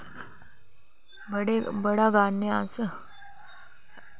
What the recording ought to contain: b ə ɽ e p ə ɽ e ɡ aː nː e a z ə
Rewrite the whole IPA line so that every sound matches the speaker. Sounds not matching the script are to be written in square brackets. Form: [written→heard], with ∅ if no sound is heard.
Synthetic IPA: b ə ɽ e [p→b] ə ɽ [e→a] ɡ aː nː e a [z→s] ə